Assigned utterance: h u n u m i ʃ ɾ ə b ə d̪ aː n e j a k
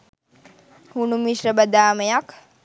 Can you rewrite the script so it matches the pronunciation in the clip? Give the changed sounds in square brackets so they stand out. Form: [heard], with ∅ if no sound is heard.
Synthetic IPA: h u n u m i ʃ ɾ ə b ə d̪ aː [m] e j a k